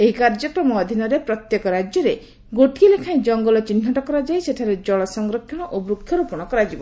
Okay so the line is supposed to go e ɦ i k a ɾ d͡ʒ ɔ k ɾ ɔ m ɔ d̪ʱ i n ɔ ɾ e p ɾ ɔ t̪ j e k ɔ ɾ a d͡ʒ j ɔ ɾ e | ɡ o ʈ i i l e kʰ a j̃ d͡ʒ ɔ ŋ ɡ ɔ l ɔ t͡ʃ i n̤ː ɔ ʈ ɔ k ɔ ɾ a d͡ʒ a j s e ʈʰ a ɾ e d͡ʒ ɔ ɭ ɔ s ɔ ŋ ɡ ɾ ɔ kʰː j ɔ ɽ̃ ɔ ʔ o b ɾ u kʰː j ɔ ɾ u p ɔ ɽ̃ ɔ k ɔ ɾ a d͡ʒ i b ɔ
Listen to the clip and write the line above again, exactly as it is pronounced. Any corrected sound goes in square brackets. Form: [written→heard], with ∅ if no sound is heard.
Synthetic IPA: e ɦ i k a ɾ d͡ʒ ɔ k ɾ ɔ m ɔ d̪ʱ i n ɔ ɾ e p ɾ ɔ t̪ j e k ɔ ɾ a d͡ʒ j ɔ ɾ e | ɡ o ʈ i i l e kʰ a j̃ d͡ʒ ɔ ŋ ɡ ɔ l ɔ t͡ʃ i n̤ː ɔ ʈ ɔ k ɔ ɾ a d͡ʒ a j s e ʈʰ a ɾ e d͡ʒ ɔ ɭ ɔ s ɔ ŋ ɡ ɾ ɔ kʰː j ɔ ɽ̃ ɔ ʔ o b ɾ u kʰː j ɔ ɾ u p ɔ ɽ̃ ɔ k ɔ ɾ a d͡ʒ i b ɔ